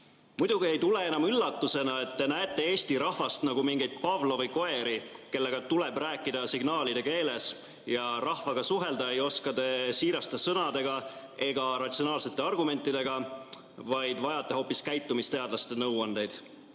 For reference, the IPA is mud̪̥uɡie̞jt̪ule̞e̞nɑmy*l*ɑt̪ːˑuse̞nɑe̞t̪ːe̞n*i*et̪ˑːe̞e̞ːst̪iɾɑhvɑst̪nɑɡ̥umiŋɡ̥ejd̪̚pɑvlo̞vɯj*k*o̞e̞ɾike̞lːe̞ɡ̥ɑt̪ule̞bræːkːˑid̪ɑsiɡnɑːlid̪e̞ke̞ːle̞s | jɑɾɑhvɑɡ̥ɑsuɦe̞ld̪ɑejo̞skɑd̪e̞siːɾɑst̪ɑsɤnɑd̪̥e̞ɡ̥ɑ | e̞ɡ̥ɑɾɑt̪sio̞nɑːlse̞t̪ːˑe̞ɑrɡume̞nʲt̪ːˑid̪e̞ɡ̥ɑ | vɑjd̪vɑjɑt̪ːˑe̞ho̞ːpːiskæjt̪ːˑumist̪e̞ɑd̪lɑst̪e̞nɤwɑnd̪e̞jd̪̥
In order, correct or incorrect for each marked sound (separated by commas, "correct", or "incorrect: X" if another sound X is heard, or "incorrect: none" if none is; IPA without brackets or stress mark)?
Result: incorrect: lː, incorrect: æ, correct